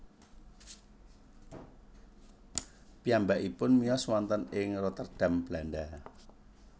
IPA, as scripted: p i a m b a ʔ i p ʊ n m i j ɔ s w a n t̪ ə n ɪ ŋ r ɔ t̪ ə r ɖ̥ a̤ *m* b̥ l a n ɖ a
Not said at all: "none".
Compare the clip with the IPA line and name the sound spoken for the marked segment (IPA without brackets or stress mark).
m